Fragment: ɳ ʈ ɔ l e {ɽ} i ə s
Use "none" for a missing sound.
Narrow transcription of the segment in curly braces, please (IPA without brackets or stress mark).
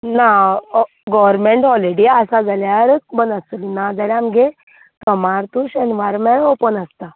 ɽ